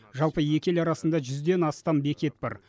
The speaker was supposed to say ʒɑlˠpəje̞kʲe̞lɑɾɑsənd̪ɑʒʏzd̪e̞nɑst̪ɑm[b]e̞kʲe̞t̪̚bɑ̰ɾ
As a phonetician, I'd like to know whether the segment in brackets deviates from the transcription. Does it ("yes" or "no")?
no